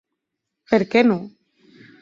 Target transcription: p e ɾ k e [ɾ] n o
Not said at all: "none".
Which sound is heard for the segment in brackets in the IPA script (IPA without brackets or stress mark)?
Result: none